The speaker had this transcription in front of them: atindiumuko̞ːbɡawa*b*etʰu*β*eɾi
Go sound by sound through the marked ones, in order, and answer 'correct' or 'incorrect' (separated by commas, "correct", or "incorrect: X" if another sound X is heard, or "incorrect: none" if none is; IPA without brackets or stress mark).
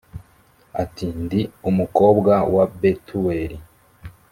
correct, incorrect: w